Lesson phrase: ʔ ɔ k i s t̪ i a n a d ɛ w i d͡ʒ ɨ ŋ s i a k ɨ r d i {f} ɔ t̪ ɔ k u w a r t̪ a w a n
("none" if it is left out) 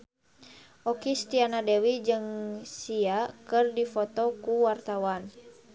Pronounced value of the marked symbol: f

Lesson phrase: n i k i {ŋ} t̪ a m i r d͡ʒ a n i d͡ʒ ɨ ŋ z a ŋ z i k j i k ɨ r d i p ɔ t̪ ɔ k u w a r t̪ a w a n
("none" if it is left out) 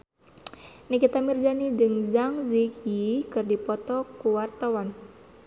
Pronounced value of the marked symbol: none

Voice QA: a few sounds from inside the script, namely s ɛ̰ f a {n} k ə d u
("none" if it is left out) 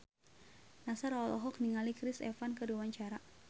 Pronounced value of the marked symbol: n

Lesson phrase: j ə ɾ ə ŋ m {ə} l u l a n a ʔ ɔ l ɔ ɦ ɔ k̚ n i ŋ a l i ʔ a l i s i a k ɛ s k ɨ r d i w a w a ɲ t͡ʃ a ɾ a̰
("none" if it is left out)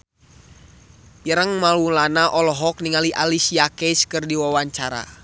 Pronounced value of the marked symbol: a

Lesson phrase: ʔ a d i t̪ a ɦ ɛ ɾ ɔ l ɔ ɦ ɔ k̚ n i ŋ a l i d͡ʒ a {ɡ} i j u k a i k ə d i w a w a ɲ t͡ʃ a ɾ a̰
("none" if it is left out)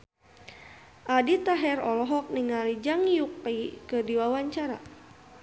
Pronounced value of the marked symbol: ŋ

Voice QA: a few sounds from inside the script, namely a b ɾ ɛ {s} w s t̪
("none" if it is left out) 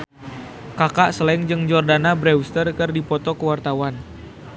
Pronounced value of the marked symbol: none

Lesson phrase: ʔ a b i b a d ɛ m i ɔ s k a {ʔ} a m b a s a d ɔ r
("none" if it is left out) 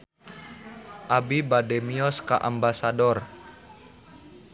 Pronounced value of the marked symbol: ʔ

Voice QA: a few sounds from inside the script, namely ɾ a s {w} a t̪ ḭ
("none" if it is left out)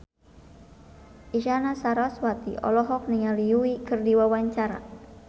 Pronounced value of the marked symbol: w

